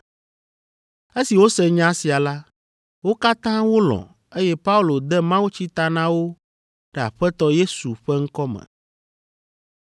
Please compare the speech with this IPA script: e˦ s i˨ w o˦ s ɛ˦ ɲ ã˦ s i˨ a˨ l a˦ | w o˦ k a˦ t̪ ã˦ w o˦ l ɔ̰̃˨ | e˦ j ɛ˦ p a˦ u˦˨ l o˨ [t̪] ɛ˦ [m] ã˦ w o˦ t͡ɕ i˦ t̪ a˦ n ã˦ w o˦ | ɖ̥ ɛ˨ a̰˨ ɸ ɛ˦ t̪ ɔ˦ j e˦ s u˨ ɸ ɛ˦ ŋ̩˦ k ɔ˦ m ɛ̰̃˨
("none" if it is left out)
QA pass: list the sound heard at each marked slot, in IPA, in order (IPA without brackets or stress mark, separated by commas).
d̪, m